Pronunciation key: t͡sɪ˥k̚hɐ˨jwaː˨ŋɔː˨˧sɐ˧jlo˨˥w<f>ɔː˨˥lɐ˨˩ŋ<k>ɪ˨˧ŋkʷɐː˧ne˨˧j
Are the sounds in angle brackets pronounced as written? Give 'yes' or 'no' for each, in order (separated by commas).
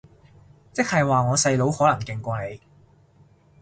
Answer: no, yes